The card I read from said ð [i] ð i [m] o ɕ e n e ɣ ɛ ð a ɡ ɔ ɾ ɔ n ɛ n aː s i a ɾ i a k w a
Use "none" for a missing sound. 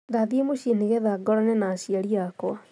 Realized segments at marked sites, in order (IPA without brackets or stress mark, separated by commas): a, m